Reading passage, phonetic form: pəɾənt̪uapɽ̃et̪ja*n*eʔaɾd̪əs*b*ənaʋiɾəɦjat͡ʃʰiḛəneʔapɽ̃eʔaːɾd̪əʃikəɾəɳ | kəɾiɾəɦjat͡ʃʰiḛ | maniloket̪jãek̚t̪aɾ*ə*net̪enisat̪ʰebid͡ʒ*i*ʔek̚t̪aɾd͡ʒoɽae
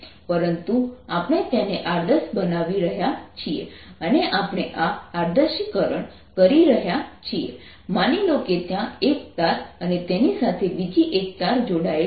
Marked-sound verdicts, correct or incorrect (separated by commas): correct, correct, correct, correct